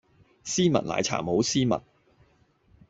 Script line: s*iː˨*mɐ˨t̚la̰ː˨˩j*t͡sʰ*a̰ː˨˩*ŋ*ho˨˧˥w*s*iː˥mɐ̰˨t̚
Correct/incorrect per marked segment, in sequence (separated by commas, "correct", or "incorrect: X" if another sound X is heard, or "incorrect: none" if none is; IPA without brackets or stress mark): incorrect: iː˥, correct, incorrect: m, correct